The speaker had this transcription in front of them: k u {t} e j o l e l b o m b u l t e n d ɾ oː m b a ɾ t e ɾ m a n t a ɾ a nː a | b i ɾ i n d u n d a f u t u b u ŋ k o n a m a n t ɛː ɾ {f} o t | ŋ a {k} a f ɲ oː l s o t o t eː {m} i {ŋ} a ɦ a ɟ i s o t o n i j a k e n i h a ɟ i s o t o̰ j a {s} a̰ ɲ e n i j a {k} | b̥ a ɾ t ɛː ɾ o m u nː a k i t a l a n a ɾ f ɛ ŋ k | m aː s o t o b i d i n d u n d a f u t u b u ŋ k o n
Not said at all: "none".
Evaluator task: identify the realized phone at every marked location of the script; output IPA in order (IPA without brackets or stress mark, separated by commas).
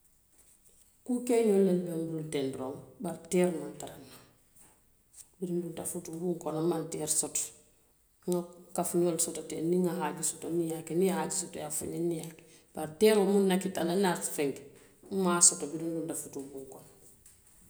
k, s, k, n, ŋ, f, k